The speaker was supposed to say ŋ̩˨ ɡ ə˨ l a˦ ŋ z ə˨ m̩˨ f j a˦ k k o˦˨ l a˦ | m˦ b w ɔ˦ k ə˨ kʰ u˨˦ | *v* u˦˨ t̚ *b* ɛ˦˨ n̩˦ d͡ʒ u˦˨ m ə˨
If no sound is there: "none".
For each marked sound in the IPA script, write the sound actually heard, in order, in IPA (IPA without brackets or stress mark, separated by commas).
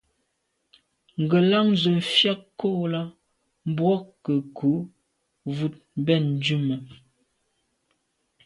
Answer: v, b